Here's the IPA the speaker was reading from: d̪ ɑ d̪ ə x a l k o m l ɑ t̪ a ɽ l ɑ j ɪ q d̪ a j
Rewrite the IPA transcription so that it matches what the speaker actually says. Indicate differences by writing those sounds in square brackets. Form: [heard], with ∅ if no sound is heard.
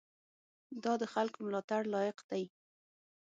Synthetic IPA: d̪ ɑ d̪ ə x a l k o m l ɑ t̪ a ɽ l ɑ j ɪ q d̪ a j